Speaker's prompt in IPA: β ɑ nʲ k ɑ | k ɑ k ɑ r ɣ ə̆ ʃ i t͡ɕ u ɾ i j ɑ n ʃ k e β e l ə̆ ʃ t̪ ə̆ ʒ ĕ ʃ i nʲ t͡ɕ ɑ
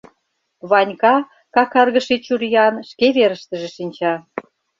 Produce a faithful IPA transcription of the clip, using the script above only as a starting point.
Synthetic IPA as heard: β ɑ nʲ k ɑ | k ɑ k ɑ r ɣ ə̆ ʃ i t͡ɕ u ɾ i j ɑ n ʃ k e β e ɾ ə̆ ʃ t̪ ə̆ ʒ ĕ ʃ i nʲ t͡ɕ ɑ